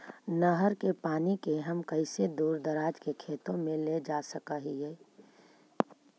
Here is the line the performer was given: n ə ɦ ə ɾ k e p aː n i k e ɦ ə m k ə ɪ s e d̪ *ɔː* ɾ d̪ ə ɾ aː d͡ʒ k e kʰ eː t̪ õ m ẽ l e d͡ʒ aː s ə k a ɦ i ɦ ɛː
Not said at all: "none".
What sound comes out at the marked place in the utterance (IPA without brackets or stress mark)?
uː